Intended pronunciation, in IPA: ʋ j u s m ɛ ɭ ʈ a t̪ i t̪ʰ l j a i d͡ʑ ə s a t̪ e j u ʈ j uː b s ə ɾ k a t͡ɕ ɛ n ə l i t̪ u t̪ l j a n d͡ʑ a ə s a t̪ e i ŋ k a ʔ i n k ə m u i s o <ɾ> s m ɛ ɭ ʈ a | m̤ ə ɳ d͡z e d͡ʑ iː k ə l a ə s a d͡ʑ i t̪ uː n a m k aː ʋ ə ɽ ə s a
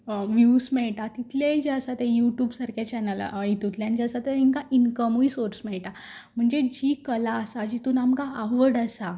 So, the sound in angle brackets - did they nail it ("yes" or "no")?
yes